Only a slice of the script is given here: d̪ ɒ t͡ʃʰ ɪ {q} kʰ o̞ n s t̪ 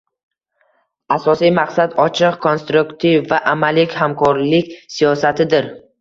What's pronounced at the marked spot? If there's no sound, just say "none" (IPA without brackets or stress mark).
q